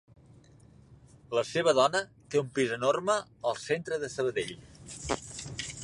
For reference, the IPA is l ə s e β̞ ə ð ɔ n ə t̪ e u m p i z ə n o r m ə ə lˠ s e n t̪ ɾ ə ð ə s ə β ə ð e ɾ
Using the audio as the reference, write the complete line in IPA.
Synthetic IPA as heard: l ə s e β̞ ə ð ɔ n ə t̪ e u m p i z ə n o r m ə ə lˠ s e n t̪ ɾ ə ð ə s ə β ə ð e ʎ